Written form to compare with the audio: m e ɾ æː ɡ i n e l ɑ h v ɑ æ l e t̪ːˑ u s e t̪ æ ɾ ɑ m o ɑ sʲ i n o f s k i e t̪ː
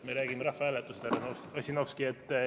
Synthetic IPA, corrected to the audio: m e ɾ æː ɡ i m e ɾ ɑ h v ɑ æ l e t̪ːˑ u s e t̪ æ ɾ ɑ n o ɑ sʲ i n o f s k i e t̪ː